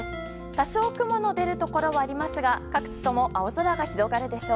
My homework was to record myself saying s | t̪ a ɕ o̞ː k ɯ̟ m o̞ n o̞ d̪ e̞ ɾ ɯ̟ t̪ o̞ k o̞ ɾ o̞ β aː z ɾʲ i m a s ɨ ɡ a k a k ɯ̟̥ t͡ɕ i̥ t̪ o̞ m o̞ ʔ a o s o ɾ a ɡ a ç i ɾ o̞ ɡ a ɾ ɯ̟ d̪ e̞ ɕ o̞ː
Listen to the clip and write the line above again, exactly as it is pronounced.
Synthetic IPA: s | t̪ a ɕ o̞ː k ɯ̟ m o̞ n o̞ d̪ e̞ ɾ ɯ̟ t̪ o̞ k o̞ ɾ o̞ β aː ɾʲ i m a s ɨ ɡ a k a k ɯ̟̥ t͡ɕ i̥ t̪ o̞ m o̞ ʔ a o z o ɾ a ɡ a ç i ɾ o̞ ɡ a ɾ ɯ̟ d̪ e̞ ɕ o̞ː

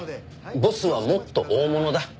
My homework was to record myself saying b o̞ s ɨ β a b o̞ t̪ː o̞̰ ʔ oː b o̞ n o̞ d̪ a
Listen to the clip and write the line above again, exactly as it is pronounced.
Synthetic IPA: b o̞ s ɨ β a m o̞ t̪ː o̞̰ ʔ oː m o̞ n o̞ d̪ a

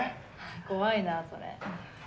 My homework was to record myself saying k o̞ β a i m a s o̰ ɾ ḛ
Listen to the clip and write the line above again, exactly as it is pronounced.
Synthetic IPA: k o̞ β a i n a s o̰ ɾ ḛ

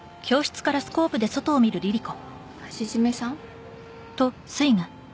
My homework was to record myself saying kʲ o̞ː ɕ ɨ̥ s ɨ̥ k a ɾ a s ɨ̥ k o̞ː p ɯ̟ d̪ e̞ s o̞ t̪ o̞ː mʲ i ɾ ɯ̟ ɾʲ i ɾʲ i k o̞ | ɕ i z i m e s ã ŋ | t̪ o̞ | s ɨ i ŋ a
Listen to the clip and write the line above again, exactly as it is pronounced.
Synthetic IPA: kʲ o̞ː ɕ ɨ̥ t͡s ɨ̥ k a ɾ a s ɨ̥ k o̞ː p ɯ̟ d̪ e̞ s o̞ t̪ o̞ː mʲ i ɾ ɯ̟ ɾʲ i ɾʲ i k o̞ | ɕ i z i m e s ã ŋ | t̪ o̞ | s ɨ i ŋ a

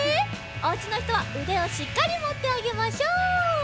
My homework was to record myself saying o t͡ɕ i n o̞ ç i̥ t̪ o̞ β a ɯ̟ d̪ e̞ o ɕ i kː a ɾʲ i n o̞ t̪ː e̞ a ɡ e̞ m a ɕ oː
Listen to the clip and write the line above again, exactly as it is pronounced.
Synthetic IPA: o t͡ɕ i n o̞ ç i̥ t̪ o̞ β a ɯ̟ d̪ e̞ o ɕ i kː a ɾʲ i m o̞ t̪ː e̞ a ɡ e̞ m a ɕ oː

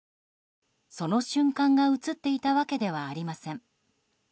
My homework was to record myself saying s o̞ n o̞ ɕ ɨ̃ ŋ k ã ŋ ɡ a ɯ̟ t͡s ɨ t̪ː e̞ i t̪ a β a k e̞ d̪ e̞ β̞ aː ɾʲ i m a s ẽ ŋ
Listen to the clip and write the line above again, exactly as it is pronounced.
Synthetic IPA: s o̞ n o̞ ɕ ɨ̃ ŋ k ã ŋ ɡ a ɯ̟ t͡s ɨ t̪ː e̞ i t̪ a β a k e̞ d̪ e̞ β̞ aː ɾʲ i m a s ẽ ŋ

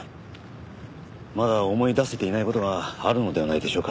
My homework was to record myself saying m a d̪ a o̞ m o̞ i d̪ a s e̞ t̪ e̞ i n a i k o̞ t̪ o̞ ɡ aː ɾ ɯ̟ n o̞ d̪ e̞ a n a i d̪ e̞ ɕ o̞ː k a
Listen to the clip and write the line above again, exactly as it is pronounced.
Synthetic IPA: m a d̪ a o̞ m o̞ i d̪ a s e̞ t̪ e̞ i n a i k o̞ t̪ o̞ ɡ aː ɾ ɯ̟ n o̞ d̪ e̞ a n a i d̪ e̞ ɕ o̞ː k a

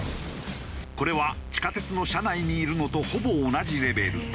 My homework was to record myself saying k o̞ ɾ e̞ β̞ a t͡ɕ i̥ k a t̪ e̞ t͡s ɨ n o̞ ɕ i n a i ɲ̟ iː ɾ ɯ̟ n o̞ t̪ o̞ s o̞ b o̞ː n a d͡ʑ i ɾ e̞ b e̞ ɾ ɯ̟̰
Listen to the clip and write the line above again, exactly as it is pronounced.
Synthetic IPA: k o̞ ɾ e̞ β̞ a t͡ɕ i̥ k a t̪ e̞ t͡s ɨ n o̞ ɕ a n a i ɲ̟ iː ɾ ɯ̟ n o̞ t̪ o̞ h o̞ b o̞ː n a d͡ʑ i ɾ e̞ b e̞ ɾ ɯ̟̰

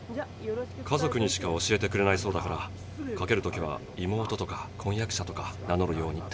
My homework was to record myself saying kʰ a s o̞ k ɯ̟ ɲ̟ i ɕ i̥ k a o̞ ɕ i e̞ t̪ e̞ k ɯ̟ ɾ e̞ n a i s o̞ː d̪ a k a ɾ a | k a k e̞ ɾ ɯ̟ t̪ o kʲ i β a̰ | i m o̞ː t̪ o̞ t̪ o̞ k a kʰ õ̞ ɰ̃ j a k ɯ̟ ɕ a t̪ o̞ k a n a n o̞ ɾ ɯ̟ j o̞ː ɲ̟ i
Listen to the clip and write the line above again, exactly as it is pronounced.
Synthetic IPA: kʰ a z o̞ k ɯ̟ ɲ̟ i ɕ i̥ k a o̞ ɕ i e̞ t̪ e̞ k ɯ̟ ɾ e̞ n a i s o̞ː d̪ a k a ɾ a | k a k e̞ ɾ ɯ̟ t̪ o kʲ i β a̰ | i m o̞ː t̪ o̞ t̪ o̞ k a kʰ õ̞ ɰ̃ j a k ɯ̟ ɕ a t̪ o̞ k a n a n o̞ ɾ ɯ̟ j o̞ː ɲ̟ i

